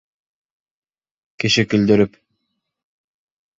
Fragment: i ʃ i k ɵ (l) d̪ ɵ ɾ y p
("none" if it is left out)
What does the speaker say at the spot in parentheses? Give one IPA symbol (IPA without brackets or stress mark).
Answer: l